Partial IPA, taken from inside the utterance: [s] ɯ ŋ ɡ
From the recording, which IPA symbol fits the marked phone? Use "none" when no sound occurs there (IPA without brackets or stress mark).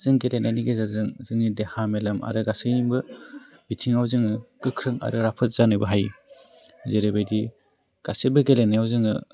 z